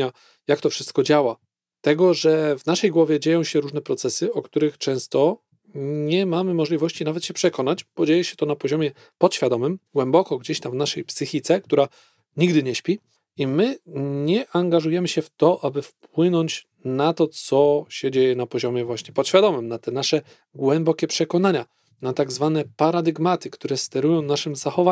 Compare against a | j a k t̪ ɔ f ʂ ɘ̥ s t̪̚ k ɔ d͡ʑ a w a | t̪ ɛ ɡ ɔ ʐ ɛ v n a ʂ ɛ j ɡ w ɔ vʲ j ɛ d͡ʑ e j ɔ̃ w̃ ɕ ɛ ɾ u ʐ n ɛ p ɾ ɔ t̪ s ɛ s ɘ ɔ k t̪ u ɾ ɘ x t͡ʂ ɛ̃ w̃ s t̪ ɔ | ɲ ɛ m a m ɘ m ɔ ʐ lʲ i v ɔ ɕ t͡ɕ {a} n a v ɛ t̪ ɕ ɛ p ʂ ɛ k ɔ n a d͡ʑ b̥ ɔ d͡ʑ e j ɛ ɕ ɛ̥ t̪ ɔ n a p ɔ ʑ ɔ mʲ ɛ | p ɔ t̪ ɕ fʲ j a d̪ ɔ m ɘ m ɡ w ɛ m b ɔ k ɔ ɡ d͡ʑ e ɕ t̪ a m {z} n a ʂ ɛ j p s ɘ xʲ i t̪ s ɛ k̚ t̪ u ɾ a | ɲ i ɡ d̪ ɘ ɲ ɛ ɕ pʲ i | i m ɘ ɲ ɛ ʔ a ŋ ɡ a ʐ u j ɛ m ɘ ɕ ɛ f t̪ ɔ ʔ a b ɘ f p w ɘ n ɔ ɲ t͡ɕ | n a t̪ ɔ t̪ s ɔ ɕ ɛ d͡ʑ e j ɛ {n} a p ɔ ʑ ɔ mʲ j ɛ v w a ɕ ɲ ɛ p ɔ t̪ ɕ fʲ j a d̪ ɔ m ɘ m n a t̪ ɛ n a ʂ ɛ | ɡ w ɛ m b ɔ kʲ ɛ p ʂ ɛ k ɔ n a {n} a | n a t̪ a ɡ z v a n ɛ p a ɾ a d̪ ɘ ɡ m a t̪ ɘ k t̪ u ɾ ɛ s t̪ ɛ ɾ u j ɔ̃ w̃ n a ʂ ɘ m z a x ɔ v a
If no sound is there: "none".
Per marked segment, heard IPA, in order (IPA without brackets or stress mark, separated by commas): i, v, n, ɲ